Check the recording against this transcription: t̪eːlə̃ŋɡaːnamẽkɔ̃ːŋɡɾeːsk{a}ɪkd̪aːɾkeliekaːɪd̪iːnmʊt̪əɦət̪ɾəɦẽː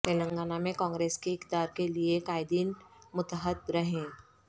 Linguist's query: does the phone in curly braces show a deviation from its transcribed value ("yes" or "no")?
yes